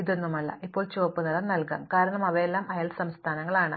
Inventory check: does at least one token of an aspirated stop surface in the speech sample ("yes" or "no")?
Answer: yes